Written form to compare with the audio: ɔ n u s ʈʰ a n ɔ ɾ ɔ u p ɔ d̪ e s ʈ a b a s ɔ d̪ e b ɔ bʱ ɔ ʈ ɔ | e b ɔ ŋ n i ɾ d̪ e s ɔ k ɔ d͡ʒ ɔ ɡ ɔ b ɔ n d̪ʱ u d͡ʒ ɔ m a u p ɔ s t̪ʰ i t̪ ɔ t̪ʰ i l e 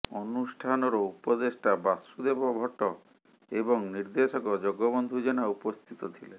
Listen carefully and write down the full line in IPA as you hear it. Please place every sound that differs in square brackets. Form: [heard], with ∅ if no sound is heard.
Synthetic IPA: ɔ n u s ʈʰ a n ɔ ɾ ɔ u p ɔ d̪ e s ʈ a b a s [u] d̪ e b ɔ bʱ ɔ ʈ ɔ | e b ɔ ŋ n i ɾ d̪ e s ɔ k ɔ d͡ʒ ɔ ɡ ɔ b ɔ n d̪ʱ u d͡ʒ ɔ [n] a u p ɔ s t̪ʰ i t̪ ɔ t̪ʰ i l e

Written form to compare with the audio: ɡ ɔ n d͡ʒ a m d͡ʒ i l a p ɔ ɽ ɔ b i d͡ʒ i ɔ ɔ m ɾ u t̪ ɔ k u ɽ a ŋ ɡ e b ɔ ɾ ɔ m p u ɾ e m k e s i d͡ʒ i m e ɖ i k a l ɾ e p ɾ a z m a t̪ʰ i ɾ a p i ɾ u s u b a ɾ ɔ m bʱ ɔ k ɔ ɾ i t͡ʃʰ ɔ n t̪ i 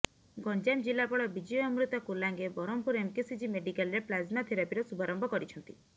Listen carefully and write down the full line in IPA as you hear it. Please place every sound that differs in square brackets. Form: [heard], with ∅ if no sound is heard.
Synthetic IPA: ɡ ɔ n d͡ʒ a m d͡ʒ i l a p ɔ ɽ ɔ b i d͡ʒ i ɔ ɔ m ɾ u t̪ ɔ k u [l] a ŋ ɡ e b ɔ ɾ ɔ m p u ɾ e m k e s i d͡ʒ i m e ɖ i k a l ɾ e p [l] a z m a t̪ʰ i ɾ a p i ɾ [ɔ] s u b a ɾ ɔ m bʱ ɔ k ɔ ɾ i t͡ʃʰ ɔ n t̪ i

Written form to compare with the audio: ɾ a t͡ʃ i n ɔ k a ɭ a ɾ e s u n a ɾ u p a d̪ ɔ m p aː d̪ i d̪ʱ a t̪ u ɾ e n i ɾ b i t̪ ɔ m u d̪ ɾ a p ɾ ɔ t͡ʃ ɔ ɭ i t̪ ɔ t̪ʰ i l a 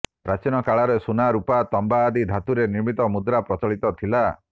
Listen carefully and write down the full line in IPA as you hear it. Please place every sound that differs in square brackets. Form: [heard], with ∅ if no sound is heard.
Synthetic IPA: ɾ a t͡ʃ i n ɔ k a ɭ a ɾ e s u n a ɾ u p a [t̪] ɔ m [b] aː d̪ i d̪ʱ a t̪ u ɾ e n i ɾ [m] i t̪ ɔ m u d̪ ɾ a p ɾ ɔ t͡ʃ ɔ ɭ i t̪ ɔ t̪ʰ i l a

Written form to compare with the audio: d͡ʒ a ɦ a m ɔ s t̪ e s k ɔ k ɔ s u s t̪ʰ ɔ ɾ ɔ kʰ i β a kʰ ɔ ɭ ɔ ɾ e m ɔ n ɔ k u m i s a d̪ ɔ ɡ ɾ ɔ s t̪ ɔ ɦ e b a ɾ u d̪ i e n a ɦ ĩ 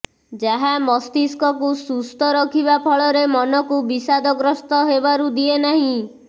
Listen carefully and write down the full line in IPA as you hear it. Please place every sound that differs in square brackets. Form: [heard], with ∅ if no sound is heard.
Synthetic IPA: d͡ʒ a ɦ a m ɔ s t̪ [i] s k ɔ k [u] s u s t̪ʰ ɔ ɾ ɔ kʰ i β a [pʰ] ɔ ɭ ɔ ɾ e m ɔ n ɔ k u [b] i s a d̪ ɔ ɡ ɾ ɔ s t̪ ɔ ɦ e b a ɾ u d̪ i e n a ɦ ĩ

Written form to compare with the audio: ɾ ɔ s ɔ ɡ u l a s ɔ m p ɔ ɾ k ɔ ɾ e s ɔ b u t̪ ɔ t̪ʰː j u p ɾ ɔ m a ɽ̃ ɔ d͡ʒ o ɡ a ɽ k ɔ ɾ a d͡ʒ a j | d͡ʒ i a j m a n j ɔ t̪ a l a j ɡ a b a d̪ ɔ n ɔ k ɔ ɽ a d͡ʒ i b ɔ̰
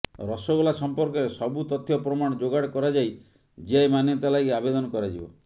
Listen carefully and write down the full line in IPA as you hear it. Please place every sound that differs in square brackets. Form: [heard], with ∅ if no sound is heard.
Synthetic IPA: ɾ ɔ s ɔ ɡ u l a s ɔ m p ɔ ɾ k ɔ ɾ e s ɔ b u t̪ ɔ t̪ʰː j [ɔ] p ɾ ɔ m a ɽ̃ ɔ d͡ʒ o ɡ a ɽ k ɔ ɾ a d͡ʒ a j | d͡ʒ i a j m a n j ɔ t̪ a l a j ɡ a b [e] d̪ ɔ n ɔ k ɔ [ɾ] a d͡ʒ i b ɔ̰

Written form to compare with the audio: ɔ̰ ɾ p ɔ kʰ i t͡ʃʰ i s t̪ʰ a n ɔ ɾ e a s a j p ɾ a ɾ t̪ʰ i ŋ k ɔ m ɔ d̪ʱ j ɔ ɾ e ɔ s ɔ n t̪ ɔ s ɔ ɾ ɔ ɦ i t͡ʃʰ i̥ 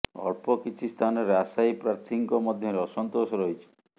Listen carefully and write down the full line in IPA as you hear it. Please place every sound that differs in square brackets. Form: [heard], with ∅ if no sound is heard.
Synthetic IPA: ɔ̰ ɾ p ɔ [k] i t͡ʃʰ i s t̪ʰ a n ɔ ɾ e a s a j p ɾ a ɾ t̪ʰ i ŋ k ɔ m ɔ d̪ʱ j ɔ ɾ e ɔ s ɔ n t̪ [o] s ɔ ɾ ɔ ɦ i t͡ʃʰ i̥

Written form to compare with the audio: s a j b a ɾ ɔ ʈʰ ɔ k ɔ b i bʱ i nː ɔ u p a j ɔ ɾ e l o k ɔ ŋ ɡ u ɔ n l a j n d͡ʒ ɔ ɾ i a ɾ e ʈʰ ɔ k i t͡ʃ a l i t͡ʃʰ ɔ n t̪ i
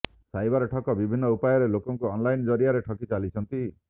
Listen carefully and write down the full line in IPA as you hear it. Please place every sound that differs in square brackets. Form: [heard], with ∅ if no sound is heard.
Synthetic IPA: s a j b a ɾ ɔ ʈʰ ɔ k ɔ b i bʱ i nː ɔ u p a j ɔ ɾ e l o k ɔ ŋ [k] u ɔ n l a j n d͡ʒ ɔ ɾ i a ɾ e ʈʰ ɔ k i t͡ʃ a l i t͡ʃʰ ɔ n t̪ i

